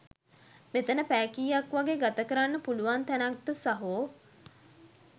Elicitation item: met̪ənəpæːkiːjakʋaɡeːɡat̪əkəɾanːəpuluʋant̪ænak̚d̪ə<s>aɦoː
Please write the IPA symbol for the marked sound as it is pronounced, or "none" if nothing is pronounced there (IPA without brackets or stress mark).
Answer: s